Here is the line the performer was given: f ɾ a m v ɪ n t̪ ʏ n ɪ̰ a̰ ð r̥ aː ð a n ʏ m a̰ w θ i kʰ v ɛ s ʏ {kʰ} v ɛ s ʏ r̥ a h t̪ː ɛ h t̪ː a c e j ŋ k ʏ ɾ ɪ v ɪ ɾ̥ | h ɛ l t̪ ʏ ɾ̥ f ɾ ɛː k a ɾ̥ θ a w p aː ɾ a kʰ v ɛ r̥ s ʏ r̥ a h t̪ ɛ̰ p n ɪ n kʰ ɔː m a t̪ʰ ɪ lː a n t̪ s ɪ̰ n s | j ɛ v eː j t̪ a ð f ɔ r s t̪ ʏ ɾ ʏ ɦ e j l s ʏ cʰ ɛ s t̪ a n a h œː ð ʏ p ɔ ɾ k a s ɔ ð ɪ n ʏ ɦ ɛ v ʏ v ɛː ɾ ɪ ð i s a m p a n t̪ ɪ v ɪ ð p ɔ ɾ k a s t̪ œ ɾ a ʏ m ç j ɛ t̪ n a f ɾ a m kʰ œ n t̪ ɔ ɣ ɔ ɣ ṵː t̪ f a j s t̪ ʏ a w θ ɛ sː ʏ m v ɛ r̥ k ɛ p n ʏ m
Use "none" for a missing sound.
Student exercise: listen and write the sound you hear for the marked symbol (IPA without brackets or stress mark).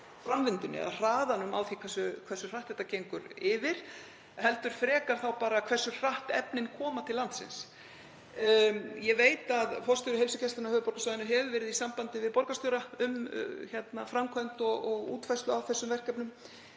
kʰ